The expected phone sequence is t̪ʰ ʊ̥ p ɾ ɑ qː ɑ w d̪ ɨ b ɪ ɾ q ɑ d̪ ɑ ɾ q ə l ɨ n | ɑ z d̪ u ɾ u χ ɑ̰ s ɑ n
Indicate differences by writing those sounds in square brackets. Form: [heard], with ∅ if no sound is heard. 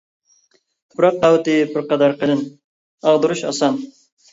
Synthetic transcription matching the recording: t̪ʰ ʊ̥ p ɾ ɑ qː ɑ w [t̪] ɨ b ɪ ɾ q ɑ d̪ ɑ ɾ q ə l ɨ n | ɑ [ʁ] d̪ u ɾ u [ʃ] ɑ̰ s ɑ n